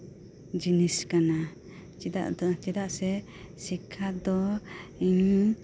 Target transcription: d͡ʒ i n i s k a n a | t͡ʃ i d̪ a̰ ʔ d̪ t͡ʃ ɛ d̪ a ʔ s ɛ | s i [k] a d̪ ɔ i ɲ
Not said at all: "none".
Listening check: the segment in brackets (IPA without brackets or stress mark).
kʰ